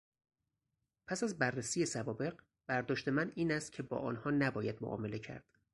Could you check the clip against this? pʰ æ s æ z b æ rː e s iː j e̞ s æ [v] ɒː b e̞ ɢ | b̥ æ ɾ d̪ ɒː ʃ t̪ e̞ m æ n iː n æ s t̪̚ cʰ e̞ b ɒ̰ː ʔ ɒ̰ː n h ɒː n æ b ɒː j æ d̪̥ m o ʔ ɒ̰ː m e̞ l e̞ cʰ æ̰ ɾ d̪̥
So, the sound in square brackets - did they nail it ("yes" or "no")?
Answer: yes